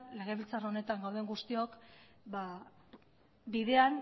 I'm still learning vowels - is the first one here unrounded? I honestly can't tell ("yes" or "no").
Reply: yes